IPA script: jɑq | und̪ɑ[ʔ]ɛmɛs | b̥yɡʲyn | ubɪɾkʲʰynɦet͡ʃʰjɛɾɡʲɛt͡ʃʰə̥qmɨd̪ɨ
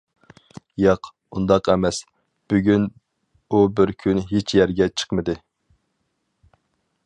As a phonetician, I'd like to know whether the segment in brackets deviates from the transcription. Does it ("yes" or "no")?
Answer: yes